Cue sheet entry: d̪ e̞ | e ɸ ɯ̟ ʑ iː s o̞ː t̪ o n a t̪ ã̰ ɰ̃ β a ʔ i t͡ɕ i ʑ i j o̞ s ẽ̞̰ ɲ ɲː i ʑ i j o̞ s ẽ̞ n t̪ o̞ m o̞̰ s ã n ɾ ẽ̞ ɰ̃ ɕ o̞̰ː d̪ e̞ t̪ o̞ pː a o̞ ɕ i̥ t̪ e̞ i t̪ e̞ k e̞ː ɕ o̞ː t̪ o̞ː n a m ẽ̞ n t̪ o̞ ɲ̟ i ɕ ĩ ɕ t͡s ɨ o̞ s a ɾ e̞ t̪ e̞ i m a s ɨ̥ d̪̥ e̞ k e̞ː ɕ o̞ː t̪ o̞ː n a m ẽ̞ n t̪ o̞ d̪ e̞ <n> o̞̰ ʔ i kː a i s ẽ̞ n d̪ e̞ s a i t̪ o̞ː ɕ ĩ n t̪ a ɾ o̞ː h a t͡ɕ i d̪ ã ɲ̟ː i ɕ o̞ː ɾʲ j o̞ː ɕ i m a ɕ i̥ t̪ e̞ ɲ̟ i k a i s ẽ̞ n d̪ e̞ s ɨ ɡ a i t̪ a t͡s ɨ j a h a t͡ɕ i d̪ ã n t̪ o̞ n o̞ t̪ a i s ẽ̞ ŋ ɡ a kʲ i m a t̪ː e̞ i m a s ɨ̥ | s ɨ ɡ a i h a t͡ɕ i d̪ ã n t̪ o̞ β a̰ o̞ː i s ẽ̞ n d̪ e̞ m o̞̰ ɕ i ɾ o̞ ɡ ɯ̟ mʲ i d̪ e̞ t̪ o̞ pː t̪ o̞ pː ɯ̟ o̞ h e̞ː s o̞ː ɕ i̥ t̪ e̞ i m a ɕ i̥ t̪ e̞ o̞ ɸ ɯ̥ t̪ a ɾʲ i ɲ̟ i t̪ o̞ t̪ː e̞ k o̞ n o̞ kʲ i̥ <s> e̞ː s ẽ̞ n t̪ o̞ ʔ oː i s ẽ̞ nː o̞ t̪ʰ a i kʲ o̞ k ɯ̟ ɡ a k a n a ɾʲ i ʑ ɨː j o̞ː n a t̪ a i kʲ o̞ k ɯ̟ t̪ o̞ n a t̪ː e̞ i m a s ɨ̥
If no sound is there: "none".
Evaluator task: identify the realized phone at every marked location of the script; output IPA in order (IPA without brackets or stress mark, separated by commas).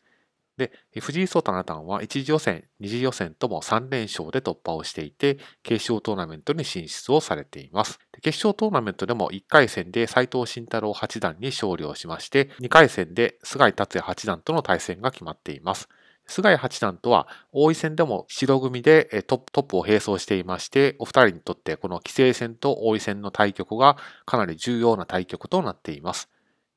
m, s